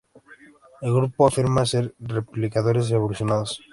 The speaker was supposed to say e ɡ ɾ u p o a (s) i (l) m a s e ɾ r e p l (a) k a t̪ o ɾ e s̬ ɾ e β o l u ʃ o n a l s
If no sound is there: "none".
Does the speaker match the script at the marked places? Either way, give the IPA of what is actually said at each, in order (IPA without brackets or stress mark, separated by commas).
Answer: f, ɾ, i